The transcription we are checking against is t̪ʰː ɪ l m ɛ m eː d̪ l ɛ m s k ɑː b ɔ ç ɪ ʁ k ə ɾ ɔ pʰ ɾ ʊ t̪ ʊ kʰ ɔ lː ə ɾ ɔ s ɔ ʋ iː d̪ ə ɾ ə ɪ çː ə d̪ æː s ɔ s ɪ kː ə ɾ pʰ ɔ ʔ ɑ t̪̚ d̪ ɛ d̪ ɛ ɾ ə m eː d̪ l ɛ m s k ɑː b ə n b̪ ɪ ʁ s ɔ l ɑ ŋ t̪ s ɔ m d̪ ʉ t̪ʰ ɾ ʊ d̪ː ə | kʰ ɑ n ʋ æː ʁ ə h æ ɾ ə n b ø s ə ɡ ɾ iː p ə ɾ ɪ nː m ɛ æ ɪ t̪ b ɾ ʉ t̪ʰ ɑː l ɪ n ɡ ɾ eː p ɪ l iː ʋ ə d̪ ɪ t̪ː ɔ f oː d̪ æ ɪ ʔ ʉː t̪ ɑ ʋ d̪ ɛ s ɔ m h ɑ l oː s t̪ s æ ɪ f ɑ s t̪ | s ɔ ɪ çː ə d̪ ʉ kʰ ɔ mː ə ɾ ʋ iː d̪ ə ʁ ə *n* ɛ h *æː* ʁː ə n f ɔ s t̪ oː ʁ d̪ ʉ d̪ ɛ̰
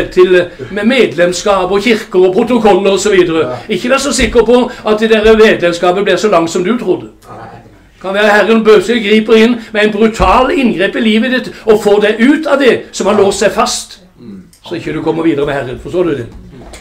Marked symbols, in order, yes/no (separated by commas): no, no